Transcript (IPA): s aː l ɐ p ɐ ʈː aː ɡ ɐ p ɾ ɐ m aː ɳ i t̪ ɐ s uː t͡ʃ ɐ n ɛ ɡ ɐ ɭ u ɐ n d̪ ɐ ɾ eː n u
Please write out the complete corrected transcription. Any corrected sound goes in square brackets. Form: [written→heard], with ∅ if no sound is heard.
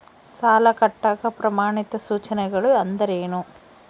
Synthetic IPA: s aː l ɐ [p→k] ɐ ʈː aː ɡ ɐ p ɾ ɐ m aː ɳ i t̪ ɐ s uː t͡ʃ ɐ n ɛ ɡ ɐ ɭ u ɐ n d̪ ɐ ɾ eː n u